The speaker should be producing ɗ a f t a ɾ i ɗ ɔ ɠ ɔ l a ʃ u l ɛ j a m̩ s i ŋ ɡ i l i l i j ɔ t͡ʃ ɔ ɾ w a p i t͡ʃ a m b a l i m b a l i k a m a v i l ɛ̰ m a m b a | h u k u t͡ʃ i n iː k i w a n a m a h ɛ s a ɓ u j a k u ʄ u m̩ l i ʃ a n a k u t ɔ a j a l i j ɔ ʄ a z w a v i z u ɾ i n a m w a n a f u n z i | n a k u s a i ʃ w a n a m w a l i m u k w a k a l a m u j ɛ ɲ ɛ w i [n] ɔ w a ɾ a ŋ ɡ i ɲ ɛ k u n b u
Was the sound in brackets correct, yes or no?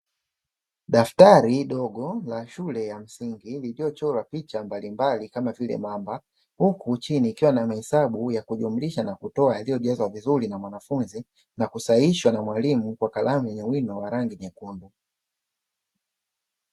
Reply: yes